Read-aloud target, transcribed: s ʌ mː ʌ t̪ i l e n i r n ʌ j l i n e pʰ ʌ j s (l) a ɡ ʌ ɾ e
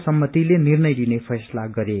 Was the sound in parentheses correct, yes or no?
yes